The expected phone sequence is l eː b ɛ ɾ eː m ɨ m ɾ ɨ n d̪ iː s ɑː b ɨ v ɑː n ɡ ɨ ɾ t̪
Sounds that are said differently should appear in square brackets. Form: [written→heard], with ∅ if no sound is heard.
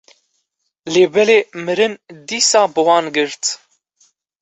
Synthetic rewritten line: l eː b ɛ [ɾ→l] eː m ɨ [m→∅] ɾ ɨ n d̪ iː s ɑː b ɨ [v→w] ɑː n ɡ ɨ ɾ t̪